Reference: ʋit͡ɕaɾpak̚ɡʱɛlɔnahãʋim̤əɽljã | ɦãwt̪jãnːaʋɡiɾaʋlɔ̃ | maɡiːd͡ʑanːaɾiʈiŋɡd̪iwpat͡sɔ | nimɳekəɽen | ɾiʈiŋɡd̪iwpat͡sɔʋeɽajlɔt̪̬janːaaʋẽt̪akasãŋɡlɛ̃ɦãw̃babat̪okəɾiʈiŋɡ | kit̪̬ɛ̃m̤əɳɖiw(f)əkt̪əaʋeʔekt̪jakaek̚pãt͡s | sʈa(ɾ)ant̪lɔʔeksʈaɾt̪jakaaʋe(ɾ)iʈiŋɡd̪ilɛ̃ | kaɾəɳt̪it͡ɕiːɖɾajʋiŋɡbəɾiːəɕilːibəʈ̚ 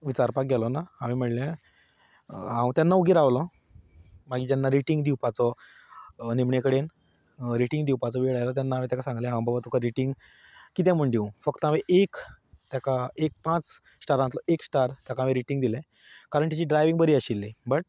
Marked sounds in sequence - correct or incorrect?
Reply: correct, correct, correct

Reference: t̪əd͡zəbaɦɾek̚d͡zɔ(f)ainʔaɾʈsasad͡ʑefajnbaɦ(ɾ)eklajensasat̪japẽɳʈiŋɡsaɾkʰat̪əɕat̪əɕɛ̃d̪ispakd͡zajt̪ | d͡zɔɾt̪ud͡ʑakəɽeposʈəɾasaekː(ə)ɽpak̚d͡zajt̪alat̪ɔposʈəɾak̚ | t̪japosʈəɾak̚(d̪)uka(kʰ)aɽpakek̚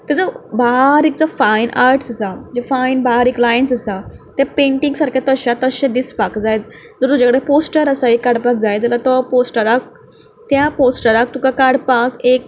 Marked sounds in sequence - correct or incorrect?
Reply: correct, correct, incorrect, incorrect, incorrect

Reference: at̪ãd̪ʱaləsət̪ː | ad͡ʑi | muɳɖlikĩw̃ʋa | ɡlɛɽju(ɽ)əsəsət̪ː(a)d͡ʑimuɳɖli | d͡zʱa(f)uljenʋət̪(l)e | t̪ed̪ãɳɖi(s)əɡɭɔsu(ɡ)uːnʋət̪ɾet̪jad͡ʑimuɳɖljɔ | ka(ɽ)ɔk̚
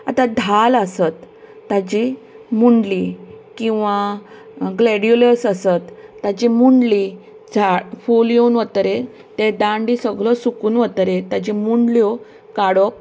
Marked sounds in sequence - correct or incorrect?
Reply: incorrect, correct, correct, incorrect, correct, incorrect, correct

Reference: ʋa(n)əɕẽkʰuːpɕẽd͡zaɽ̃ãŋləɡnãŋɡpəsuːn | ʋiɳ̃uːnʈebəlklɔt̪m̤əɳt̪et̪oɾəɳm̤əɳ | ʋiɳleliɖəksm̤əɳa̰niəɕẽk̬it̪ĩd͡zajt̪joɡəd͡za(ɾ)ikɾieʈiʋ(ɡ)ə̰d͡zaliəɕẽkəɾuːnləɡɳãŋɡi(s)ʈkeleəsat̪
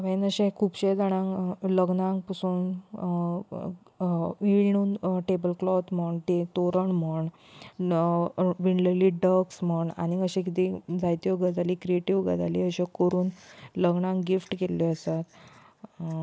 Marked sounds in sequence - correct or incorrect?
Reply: correct, incorrect, correct, incorrect

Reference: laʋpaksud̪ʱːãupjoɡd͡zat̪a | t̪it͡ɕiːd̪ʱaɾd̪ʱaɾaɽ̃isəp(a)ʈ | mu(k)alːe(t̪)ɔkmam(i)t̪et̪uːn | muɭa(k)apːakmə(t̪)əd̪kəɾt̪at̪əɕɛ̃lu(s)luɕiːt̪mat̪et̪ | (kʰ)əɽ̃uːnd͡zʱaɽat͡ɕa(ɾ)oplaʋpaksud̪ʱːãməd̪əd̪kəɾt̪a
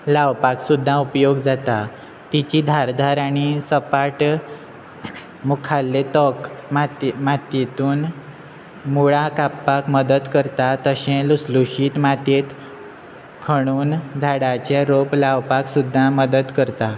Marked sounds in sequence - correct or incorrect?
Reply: correct, incorrect, correct, incorrect, correct, incorrect, correct, correct, correct

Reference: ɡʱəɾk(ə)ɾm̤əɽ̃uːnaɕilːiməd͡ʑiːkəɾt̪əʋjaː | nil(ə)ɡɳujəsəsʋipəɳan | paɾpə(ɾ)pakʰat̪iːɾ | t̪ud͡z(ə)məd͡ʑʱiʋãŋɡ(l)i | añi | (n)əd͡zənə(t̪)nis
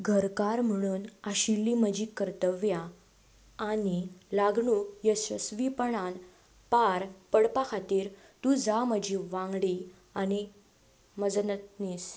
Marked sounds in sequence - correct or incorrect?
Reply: incorrect, incorrect, incorrect, incorrect, incorrect, incorrect, correct

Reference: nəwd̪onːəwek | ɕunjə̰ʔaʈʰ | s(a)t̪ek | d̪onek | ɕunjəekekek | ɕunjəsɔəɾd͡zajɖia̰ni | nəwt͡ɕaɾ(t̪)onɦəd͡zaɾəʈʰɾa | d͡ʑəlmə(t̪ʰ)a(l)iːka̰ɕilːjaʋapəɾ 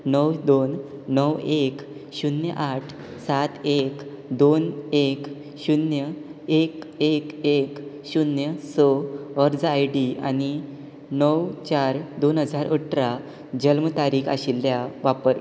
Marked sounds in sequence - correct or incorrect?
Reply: correct, incorrect, incorrect, incorrect

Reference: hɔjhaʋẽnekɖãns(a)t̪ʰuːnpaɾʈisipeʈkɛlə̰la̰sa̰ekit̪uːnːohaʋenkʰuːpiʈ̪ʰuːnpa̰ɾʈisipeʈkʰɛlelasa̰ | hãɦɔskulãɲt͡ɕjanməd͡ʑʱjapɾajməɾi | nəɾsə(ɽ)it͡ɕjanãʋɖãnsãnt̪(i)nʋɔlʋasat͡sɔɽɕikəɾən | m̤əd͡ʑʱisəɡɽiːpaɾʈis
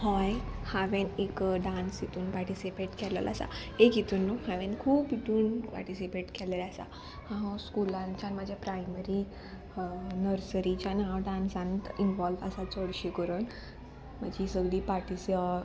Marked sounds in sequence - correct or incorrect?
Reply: incorrect, incorrect, correct

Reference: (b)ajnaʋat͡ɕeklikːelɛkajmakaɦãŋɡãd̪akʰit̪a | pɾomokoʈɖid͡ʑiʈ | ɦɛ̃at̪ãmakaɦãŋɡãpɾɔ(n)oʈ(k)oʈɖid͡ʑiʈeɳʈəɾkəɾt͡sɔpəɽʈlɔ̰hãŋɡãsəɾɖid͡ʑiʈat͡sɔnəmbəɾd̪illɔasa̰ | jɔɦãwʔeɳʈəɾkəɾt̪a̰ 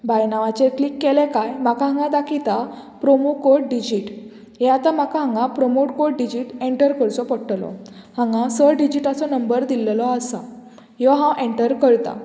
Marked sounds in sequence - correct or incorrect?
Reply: correct, incorrect, correct

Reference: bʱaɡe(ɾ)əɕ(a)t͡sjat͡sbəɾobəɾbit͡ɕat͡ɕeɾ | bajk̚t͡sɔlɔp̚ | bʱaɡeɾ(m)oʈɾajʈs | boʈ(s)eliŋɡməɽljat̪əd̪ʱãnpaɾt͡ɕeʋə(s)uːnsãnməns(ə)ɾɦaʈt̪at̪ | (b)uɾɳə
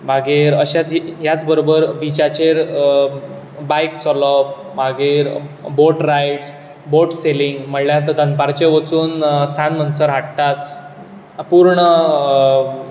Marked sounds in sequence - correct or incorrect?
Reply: correct, correct, incorrect, correct, incorrect, correct, incorrect

